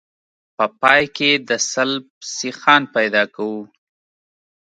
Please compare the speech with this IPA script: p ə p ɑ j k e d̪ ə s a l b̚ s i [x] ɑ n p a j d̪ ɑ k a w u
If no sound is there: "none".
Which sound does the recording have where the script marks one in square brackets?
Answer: x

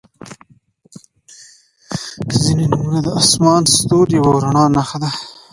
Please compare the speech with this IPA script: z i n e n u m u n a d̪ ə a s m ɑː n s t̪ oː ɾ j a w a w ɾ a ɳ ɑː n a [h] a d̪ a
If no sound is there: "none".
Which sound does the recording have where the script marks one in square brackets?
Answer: x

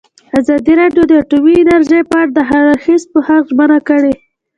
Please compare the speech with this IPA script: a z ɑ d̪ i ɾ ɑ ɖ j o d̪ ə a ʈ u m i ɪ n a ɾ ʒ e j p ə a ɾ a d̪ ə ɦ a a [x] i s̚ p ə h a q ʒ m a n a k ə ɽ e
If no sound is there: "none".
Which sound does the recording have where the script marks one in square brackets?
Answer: x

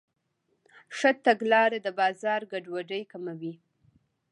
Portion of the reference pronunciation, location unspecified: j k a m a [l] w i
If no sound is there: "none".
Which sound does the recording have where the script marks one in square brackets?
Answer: none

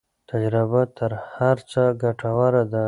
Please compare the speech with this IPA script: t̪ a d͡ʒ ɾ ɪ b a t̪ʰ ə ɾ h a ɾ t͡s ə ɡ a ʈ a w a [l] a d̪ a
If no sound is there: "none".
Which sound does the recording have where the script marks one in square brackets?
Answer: ɾ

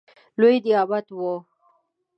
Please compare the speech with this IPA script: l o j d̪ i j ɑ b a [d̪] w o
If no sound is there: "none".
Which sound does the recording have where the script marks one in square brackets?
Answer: t̪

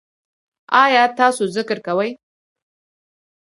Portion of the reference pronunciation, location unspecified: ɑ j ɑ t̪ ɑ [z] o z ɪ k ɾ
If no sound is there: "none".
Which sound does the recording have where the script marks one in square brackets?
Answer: s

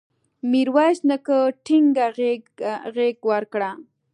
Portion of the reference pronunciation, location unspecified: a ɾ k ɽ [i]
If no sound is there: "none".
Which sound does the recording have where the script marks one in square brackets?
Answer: a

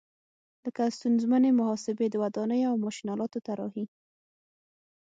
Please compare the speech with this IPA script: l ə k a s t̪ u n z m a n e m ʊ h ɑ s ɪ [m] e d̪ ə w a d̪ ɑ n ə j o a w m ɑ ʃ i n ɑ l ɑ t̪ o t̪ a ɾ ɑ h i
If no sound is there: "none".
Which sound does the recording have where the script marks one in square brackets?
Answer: b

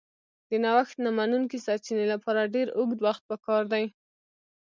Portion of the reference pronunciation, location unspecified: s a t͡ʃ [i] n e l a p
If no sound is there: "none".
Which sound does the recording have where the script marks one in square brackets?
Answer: i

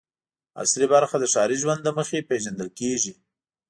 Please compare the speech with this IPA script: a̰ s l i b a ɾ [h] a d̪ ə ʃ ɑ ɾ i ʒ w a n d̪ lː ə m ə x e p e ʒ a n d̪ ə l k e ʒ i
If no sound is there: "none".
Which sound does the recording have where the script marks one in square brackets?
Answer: x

